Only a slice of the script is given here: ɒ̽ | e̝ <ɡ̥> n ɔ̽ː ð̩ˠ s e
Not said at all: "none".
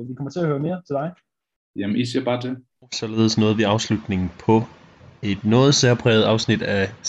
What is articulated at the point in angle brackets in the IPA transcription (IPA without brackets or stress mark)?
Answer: d̥